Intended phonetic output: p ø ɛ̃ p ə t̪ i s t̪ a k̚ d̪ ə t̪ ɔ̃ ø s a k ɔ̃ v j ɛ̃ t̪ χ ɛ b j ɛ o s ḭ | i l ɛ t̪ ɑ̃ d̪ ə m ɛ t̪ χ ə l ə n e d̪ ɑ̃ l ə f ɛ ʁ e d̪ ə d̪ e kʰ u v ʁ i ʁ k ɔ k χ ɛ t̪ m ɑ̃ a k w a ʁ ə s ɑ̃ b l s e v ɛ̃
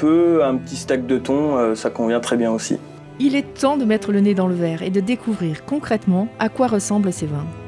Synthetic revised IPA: p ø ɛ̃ p ə t̪ i s t̪ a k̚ d̪ ə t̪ ɔ̃ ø s a k ɔ̃ v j ɛ̃ t̪ χ ɛ b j ɛ̃ o s ḭ | i l ɛ t̪ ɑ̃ d̪ ə m ɛ t̪ χ ə l ə n e d̪ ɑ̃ l ə v ɛ ʁ e d̪ ə d̪ e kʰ u v ʁ i ʁ k ɔ̃ k χ ɛ t̪ m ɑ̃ a k w a ʁ ə s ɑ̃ b l s e v ɛ̃